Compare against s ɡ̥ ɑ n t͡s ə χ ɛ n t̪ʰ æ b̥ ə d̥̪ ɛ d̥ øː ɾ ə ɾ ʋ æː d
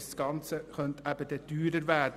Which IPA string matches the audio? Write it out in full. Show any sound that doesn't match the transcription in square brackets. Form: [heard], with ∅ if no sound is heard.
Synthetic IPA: s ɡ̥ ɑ n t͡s ə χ [œ] n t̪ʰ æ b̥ ə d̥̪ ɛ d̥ [yː] ɾ ə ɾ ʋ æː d